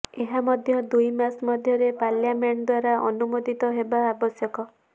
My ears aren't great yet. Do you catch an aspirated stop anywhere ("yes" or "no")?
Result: no